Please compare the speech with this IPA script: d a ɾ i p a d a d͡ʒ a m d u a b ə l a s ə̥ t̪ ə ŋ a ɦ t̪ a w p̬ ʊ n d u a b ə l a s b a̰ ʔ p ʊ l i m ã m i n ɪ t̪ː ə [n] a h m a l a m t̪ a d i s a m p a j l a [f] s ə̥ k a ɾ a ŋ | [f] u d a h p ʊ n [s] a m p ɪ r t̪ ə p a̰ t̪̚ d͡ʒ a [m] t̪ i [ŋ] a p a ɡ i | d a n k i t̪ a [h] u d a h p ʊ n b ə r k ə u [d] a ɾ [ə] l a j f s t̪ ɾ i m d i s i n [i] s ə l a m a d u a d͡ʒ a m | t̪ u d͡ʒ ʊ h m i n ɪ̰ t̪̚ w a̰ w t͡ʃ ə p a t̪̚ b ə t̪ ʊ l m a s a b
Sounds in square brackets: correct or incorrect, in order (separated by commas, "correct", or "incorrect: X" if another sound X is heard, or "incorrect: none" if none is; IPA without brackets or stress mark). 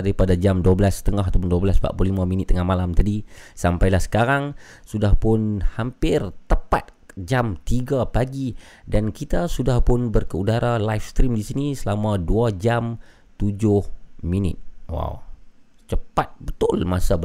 incorrect: ŋ, incorrect: h, incorrect: s, incorrect: h, correct, incorrect: ɡ, incorrect: s, correct, incorrect: a, correct